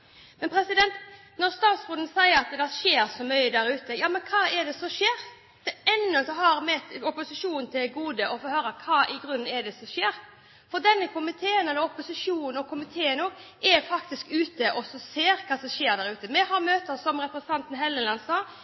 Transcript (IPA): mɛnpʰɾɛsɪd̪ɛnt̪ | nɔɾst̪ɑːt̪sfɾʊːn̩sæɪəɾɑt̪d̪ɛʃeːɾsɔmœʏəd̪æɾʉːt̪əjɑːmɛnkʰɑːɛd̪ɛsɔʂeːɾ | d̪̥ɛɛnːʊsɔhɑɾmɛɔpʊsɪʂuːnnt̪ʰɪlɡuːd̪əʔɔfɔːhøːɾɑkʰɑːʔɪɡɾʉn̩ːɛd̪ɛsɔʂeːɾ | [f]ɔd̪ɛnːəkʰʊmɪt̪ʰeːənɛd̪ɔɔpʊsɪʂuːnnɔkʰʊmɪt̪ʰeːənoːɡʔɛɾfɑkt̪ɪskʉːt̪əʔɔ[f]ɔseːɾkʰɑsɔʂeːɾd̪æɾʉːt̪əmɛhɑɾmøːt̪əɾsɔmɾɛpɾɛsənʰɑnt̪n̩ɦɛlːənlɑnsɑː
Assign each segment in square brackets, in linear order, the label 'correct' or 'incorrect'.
correct, incorrect: s

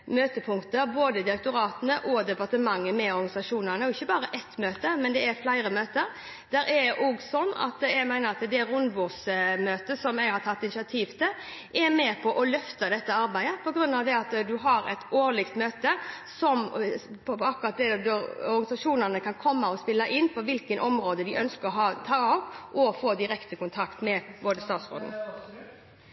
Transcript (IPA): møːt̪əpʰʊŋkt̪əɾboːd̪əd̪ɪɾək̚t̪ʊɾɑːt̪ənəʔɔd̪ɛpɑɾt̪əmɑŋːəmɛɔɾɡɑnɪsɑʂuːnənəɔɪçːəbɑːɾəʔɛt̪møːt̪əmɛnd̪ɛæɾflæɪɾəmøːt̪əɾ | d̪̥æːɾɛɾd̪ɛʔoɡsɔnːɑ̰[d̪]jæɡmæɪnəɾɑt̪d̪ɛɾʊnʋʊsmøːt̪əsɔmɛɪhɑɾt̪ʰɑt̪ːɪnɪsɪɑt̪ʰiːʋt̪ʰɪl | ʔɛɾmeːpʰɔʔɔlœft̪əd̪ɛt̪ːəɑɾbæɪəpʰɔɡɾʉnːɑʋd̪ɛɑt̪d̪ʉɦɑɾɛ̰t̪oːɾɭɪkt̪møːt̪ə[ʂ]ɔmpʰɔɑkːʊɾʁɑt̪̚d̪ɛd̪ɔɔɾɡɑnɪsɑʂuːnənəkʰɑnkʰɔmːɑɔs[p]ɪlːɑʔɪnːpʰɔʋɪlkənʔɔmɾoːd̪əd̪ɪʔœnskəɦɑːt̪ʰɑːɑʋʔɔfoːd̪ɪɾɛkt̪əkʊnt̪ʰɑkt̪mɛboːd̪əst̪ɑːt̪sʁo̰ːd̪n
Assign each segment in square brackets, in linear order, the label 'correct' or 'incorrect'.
incorrect: t̪, incorrect: s, correct

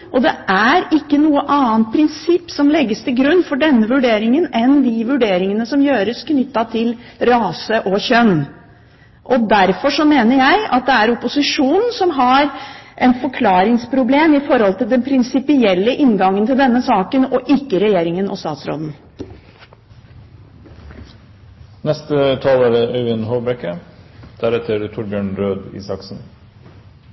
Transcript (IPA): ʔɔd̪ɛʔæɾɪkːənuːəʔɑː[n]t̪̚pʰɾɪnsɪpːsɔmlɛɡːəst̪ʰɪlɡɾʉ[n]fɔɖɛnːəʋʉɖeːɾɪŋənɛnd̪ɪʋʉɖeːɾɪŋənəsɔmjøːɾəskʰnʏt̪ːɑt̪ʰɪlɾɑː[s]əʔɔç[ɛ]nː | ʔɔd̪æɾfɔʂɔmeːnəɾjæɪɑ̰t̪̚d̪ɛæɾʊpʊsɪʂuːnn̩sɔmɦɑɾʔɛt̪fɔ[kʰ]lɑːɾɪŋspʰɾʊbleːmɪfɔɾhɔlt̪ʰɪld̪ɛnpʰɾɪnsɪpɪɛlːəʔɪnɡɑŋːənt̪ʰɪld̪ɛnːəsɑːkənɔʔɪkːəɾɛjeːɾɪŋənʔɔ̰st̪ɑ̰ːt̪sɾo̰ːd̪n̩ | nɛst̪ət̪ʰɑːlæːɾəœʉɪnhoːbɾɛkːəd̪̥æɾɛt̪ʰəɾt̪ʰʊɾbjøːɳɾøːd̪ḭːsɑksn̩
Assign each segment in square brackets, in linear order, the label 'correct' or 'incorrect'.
correct, incorrect: nː, correct, incorrect: œ, correct

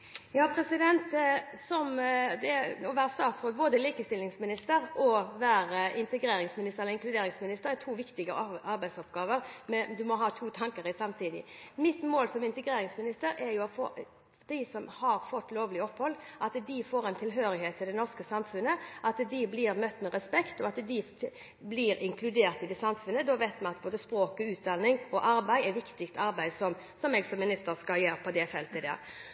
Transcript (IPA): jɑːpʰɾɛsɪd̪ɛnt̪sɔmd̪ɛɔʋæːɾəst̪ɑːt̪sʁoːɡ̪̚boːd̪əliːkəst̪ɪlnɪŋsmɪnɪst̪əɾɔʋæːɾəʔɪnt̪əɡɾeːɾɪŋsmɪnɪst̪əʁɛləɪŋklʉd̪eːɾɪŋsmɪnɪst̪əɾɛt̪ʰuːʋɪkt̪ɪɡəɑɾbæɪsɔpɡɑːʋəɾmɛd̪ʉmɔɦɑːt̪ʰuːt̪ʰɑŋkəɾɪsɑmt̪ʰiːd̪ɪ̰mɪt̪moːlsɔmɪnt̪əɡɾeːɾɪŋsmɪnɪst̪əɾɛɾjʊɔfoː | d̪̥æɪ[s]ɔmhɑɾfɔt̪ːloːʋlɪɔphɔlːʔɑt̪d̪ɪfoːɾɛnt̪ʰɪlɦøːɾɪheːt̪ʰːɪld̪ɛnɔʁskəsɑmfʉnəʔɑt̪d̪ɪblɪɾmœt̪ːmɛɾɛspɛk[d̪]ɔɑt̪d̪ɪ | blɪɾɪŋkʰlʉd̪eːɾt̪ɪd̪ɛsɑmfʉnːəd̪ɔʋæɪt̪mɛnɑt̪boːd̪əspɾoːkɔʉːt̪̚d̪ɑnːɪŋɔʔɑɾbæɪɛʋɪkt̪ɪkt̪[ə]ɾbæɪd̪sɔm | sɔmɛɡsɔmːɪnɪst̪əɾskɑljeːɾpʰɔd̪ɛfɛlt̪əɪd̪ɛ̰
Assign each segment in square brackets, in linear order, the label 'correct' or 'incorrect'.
correct, incorrect: t̪, incorrect: ɑ

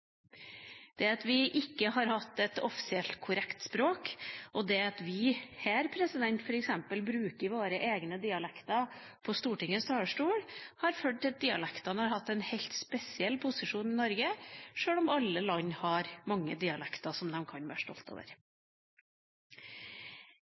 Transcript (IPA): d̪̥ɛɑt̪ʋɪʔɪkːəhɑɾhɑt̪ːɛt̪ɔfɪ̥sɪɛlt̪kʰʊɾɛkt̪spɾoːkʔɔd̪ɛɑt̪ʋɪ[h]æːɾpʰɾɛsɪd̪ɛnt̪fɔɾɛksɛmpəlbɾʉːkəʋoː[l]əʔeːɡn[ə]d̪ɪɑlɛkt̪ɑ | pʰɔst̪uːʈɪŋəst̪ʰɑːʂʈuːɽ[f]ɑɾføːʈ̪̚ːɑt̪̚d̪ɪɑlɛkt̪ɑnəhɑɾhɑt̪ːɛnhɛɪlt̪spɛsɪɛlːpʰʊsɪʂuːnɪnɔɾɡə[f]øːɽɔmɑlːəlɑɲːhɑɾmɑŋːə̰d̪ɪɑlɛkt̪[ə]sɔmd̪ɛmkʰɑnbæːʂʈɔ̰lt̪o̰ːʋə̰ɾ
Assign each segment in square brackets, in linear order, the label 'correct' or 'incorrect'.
correct, incorrect: ɾ, correct, incorrect: h, incorrect: ʂ, incorrect: ɑ

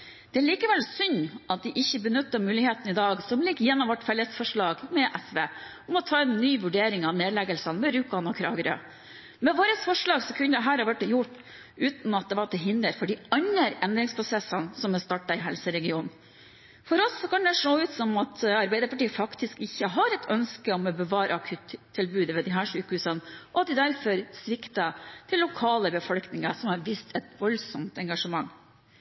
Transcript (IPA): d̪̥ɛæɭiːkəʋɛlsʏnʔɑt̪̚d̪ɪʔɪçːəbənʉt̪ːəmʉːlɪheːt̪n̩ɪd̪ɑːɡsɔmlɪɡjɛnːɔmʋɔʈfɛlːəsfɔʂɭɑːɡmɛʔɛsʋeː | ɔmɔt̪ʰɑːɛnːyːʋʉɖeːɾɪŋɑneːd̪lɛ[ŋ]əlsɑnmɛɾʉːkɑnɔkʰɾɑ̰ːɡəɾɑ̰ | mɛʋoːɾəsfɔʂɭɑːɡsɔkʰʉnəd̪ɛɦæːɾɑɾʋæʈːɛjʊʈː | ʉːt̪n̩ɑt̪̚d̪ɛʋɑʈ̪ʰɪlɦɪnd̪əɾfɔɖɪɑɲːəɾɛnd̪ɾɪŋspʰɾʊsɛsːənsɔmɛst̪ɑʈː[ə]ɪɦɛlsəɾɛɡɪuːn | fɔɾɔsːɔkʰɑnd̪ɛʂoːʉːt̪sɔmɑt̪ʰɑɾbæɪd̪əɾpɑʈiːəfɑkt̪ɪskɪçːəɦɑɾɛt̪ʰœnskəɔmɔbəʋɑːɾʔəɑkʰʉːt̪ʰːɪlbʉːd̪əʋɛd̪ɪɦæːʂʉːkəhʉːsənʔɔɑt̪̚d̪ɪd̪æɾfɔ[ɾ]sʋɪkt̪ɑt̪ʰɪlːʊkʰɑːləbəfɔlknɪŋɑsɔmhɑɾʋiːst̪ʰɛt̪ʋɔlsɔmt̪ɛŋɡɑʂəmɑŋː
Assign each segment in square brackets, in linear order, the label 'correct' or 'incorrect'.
incorrect: ɡ, incorrect: ɑ, correct

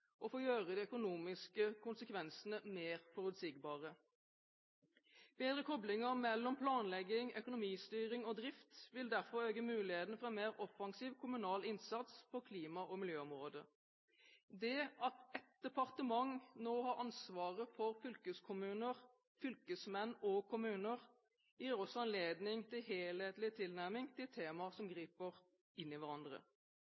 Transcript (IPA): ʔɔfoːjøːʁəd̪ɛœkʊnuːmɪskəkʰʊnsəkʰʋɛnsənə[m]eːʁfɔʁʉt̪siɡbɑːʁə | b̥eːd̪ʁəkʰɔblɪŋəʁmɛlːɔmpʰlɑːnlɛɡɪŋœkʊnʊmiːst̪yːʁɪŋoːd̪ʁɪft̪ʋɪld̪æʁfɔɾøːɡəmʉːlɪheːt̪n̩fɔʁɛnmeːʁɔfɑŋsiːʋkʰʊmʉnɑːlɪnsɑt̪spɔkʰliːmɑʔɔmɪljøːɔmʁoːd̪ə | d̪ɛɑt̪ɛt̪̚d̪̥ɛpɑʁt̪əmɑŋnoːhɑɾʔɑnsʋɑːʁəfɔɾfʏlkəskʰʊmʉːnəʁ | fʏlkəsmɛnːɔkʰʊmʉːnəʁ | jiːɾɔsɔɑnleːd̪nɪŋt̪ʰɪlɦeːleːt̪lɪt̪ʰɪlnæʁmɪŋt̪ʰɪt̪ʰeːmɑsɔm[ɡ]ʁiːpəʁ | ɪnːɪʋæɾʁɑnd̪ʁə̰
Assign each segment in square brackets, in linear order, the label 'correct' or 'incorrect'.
correct, correct

